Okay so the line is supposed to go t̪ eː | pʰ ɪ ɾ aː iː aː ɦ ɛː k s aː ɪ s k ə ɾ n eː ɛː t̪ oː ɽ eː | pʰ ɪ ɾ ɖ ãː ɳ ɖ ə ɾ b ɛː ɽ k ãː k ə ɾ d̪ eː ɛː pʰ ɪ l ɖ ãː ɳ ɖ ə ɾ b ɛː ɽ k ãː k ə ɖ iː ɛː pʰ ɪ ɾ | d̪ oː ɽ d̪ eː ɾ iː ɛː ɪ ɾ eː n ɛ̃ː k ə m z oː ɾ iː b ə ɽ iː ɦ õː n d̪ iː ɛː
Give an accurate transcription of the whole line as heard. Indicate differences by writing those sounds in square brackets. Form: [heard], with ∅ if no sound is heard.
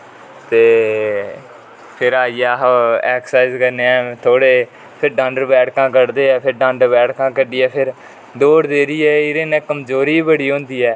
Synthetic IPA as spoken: t̪ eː | pʰ ɪ ɾ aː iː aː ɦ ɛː k s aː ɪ [z] k ə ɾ n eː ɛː [t̪ʰ] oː ɽ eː | pʰ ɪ ɾ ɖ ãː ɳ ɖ ə ɾ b ɛː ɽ k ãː k ə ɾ d̪ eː ɛː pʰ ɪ [ɾ] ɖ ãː ɳ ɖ ə ɾ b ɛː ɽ k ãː k ə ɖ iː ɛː pʰ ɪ ɾ | d̪ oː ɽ d̪ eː ɾ iː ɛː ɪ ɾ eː n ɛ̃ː k ə m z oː ɾ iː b ə ɽ iː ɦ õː n d̪ iː ɛː